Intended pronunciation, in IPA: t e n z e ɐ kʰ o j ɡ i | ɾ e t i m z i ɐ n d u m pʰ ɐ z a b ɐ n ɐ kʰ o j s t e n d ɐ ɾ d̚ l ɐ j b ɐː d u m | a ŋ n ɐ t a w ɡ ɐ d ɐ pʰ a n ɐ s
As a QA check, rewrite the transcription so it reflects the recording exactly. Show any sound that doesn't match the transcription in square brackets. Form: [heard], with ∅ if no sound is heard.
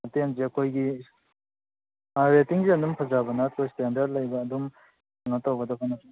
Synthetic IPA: t e n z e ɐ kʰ o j ɡ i | ɾ e t i [ŋ] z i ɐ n d u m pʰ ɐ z a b ɐ n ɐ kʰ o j s t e n d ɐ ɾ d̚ l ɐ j b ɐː d u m | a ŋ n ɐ t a w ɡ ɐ d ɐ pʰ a n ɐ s